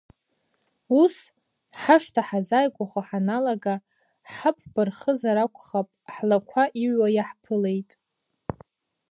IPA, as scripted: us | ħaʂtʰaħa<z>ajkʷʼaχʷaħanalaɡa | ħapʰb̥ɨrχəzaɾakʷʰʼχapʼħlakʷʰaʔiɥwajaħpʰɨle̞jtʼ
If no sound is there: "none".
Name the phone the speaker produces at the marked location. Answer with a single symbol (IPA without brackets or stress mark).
z